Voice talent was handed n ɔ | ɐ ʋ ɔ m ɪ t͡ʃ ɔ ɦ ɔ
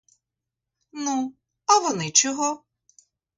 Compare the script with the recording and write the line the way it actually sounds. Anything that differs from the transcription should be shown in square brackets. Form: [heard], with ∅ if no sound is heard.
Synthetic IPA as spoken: n [u] | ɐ ʋ ɔ [n] ɪ t͡ʃ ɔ ɦ ɔ